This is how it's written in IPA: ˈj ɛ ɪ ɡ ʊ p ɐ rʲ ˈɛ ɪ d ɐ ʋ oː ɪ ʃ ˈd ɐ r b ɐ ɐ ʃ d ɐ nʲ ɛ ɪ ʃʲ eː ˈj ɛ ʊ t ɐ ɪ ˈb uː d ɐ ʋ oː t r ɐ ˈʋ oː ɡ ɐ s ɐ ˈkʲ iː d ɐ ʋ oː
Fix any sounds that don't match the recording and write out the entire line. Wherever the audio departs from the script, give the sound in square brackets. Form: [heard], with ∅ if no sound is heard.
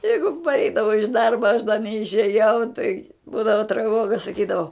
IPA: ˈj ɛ ɪ ɡ ʊ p ɐ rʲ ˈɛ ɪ d ɐ ʋ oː ɪ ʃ ˈd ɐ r b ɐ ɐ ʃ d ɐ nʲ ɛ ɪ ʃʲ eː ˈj ɛ ʊ t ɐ ɪ ˈb uː d ɐ ʋ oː t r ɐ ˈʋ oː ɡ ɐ s ɐ ˈkʲ iː d ɐ ʋ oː